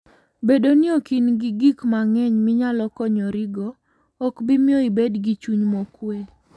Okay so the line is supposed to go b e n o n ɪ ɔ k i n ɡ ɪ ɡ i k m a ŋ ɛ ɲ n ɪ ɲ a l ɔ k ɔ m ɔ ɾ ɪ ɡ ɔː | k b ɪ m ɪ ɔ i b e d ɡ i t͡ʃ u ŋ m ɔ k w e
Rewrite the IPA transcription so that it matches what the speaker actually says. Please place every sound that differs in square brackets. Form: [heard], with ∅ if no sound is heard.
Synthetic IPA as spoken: b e [d] o n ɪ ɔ k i n ɡ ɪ ɡ i k m a ŋ ɛ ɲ [m] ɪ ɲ a l ɔ k ɔ [ɲ] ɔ ɾ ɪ ɡ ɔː | k b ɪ m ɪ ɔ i b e d ɡ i t͡ʃ u [ɲ] m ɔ k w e